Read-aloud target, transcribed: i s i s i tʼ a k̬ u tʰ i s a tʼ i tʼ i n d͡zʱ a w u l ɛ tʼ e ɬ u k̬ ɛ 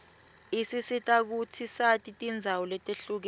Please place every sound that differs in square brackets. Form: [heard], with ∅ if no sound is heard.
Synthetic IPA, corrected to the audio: i s i s i tʼ a k̬ u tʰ i s a tʼ i tʼ i n d͡zʱ a w [ɔ] l ɛ tʼ e ɬ u k̬ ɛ

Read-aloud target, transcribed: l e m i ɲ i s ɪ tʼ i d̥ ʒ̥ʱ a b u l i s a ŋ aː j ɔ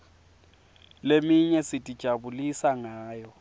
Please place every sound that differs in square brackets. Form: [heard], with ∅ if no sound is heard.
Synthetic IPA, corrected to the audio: l e m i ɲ [ɛ] s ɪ tʼ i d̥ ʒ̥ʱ a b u l i s a ŋ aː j ɔ

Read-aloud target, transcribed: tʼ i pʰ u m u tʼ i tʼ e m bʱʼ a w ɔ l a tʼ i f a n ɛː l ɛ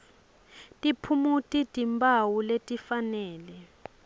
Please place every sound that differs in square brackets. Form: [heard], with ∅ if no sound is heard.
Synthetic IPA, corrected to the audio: tʼ i pʰ u m u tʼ i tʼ [i] m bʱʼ a w [u] l [e] tʼ i f a n ɛː l ɛ

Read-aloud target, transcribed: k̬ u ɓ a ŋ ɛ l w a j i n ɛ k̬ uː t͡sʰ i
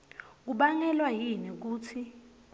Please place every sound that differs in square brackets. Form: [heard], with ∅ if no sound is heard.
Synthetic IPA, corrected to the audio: k̬ u ɓ a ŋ ɛ l w a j i n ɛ k̬ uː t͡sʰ i

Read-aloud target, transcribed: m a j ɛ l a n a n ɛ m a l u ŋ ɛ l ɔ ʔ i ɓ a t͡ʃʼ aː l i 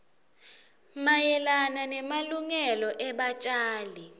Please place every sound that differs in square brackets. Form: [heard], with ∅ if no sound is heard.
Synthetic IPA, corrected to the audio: m a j ɛ l a n a n ɛ m a l u ŋ ɛ l ɔ ʔ [ɛ] ɓ a t͡ʃʼ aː l i

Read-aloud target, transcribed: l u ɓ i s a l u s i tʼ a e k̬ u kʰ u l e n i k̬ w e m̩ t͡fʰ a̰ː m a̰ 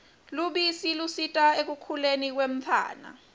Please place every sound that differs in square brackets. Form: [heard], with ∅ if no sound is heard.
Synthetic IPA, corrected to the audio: l u ɓ i s [i] l u s i tʼ a e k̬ u kʰ u l e n i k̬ w e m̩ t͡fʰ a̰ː [n] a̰

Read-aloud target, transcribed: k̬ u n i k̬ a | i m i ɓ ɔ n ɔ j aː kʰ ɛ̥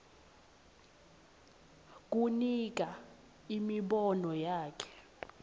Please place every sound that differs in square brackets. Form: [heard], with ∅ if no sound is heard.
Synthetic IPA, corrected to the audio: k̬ u n i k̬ a | i m i ɓ ɔ n ɔ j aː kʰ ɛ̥

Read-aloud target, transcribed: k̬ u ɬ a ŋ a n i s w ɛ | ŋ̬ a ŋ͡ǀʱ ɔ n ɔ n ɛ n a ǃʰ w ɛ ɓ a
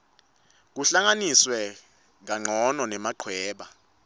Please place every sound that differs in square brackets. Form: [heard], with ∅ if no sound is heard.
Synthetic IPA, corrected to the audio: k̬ u ɬ a ŋ a n i s w ɛ | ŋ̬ a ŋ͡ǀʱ ɔ n ɔ n ɛ [m] a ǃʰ w [ɛː] ɓ a

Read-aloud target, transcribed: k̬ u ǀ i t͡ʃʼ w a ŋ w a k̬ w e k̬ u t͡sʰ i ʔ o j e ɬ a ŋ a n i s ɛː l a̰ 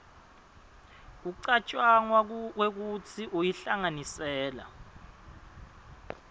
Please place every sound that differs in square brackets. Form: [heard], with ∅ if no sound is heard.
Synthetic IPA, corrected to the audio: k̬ u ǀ [a] t͡ʃʼ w a ŋ w a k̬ w e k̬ u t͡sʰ i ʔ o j [i] ɬ a ŋ a n i s ɛː l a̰

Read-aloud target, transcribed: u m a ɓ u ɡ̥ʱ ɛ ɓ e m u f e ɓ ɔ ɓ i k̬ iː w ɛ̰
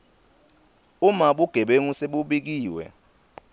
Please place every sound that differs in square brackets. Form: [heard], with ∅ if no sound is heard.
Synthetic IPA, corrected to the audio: u m a ɓ u ɡ̥ʱ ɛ ɓ e [ŋ] u [s] e ɓ [u] ɓ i k̬ iː w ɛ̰

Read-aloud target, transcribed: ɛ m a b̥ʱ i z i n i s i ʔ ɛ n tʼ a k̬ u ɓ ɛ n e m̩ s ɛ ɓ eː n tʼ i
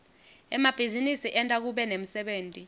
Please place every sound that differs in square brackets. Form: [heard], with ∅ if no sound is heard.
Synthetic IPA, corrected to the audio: ɛ m a b̥ʱ i z i n i s i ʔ ɛ n tʼ a k̬ u ɓ ɛ n e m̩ s ɛ ɓ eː n tʼ i

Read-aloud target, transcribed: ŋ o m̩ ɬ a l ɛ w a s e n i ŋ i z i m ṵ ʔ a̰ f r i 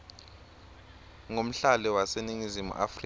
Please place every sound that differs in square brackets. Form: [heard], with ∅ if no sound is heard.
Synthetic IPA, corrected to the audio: ŋ o m̩ ɬ a l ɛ w a s e n i ŋ i z i m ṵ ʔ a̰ f r i

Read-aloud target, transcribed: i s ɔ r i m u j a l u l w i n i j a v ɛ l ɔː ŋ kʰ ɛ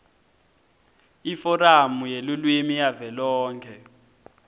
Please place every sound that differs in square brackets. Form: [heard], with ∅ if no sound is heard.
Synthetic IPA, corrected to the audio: i [f] ɔ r [a] m u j [e] l u l w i [m] i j a v ɛ l ɔː ŋ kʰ ɛ

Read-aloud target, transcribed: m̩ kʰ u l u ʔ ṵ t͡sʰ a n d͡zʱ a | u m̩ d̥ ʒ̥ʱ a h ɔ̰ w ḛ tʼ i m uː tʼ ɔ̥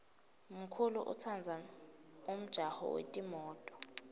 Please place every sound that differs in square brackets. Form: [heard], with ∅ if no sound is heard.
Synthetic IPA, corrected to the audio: m̩ kʰ u l u ʔ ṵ t͡sʰ a n d͡zʱ a | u m̩ d̥ ʒ̥ʱ a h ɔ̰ w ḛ tʼ i m [ɔː] tʼ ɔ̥

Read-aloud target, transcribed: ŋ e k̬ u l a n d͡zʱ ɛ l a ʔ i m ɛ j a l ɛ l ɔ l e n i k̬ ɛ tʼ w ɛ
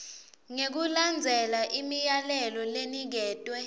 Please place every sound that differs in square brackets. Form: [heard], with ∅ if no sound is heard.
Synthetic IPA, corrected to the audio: ŋ e k̬ u l a n d͡zʱ ɛ l a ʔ i m [i] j a l ɛ l ɔ l e n i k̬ [ɛː] tʼ w ɛ

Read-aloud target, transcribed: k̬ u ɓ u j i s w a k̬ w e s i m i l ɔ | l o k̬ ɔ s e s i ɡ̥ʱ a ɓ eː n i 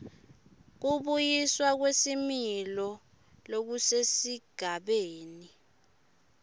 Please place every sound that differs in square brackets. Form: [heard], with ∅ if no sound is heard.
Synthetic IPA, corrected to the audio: k̬ u ɓ u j i s w a k̬ w e s i m i l ɔ | l o k̬ [u] s e s i ɡ̥ʱ a ɓ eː n i

